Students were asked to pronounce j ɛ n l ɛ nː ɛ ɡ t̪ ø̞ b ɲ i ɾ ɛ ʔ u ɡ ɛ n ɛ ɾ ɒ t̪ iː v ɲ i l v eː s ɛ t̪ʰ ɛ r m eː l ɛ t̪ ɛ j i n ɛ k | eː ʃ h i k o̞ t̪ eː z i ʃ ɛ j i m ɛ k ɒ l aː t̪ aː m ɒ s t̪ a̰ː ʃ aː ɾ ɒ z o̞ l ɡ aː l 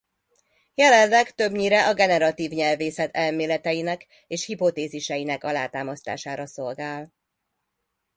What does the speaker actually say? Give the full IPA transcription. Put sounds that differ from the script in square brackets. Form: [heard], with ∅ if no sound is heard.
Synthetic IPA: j ɛ [∅] l ɛ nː ɛ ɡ t̪ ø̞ b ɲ i ɾ ɛ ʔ [ɒ] ɡ ɛ n ɛ ɾ ɒ t̪ iː v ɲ [ɛ] l v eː s ɛ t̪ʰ ɛ [l] m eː l ɛ t̪ ɛ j i n ɛ k | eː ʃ h i [p] o̞ t̪ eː z i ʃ ɛ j i [n] ɛ k ɒ l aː t̪ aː m ɒ s t̪ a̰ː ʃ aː ɾ ɒ [s] o̞ l ɡ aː l

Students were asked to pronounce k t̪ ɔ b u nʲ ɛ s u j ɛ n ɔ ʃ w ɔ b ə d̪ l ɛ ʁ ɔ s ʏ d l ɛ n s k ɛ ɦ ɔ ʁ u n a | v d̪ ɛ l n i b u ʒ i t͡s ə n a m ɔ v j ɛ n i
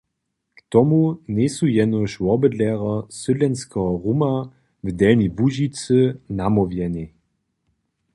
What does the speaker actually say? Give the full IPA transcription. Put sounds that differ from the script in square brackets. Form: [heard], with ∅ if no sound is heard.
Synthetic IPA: k t̪ ɔ [m] u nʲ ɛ s u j ɛ n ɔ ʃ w ɔ b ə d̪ l ɛ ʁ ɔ s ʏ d l ɛ n s k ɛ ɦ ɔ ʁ u [m] a | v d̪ ɛ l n i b u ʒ i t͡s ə n a m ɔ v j ɛ n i

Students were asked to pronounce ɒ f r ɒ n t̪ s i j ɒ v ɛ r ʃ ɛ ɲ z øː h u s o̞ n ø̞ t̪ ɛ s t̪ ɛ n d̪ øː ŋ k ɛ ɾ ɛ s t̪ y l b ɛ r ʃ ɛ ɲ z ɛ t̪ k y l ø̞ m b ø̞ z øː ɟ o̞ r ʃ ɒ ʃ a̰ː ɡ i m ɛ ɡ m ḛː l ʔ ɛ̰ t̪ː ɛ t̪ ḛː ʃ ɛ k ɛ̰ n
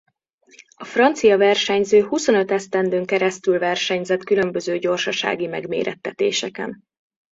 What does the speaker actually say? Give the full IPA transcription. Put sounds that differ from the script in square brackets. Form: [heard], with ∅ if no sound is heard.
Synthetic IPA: ɒ f r ɒ n t̪ s i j ɒ v ɛ r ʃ ɛ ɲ z øː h u s o̞ n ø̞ t̪ ɛ s t̪ ɛ n d̪ øː ŋ k ɛ ɾ ɛ s t̪ y l [v] ɛ r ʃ ɛ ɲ z ɛ t̪ k y l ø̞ m b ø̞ z øː ɟ o̞ r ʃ ɒ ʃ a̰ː ɡ i m ɛ ɡ m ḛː [ɾ] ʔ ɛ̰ t̪ː ɛ t̪ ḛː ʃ ɛ k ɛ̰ n

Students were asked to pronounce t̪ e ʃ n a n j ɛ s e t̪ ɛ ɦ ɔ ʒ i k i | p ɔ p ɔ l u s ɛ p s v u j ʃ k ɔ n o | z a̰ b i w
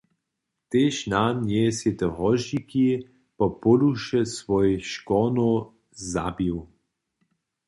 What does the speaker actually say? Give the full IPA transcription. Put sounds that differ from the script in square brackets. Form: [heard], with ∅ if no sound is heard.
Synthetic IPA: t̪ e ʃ n a n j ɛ s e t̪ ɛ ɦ ɔ ʒ i k i | p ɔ p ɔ l u [ʃ] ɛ [∅] s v [ɔ] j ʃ k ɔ n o | z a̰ b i w

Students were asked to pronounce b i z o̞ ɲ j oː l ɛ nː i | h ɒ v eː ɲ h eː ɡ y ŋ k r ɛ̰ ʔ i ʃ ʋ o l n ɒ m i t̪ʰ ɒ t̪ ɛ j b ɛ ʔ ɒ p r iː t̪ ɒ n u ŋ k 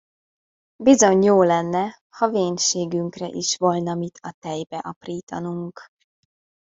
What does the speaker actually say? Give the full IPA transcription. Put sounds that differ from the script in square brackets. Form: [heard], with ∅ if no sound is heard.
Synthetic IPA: b i z o̞ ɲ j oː l ɛ nː [ɛ] | h ɒ v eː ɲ [ʃ] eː ɡ y ŋ k r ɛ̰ ʔ i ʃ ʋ o l n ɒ m i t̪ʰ ɒ t̪ ɛ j b ɛ ʔ ɒ p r iː t̪ ɒ n u ŋ k

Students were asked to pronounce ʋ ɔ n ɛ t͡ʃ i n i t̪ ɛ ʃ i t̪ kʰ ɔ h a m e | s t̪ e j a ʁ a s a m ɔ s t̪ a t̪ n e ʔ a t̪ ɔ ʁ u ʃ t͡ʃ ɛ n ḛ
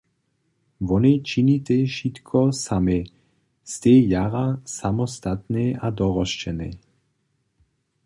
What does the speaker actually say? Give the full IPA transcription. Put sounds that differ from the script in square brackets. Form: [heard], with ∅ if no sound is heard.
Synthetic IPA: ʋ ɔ n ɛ t͡ʃ i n i t̪ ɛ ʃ i t̪ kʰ ɔ [s] a m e | s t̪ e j a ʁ a s a m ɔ s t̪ a t̪ n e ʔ a [d̪] ɔ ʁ [ɔ] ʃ t͡ʃ ɛ n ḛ

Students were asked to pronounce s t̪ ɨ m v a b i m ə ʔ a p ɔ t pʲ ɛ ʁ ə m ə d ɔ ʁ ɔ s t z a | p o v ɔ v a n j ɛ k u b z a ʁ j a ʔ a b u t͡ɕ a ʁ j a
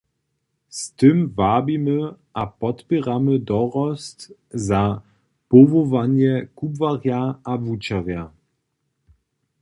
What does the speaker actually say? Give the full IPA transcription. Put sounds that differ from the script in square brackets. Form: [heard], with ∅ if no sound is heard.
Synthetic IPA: s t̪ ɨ m v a b i m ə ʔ a p ɔ t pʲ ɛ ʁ [a] m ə d ɔ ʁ ɔ s t z a | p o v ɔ v a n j ɛ k u b [v] a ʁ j a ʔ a [v] u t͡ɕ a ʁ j a

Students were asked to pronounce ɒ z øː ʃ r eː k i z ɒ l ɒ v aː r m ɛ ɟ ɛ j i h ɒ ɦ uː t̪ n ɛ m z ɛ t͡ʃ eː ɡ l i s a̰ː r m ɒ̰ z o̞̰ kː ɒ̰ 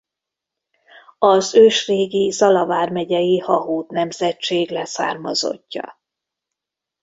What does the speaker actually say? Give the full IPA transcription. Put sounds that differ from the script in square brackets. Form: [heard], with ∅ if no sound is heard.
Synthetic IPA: ɒ z øː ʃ r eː [ɡ] i z ɒ l ɒ v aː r m ɛ ɟ ɛ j i h ɒ ɦ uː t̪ n ɛ m z ɛ t͡ʃ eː ɡ l [ɛ] s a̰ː r m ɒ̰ z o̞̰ [cː] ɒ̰

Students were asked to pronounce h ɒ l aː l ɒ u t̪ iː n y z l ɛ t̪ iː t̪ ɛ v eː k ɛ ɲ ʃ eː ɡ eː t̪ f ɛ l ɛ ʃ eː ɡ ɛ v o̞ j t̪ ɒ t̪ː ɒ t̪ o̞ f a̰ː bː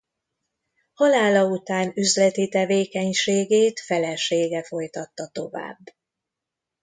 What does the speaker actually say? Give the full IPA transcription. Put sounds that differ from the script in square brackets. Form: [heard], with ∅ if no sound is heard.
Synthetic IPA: h ɒ l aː l ɒ u t̪ [aː] n y z l ɛ t̪ [i] t̪ ɛ v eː k ɛ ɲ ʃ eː ɡ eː t̪ f ɛ l ɛ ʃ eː ɡ ɛ [f] o̞ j t̪ ɒ t̪ː ɒ t̪ o̞ [v] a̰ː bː

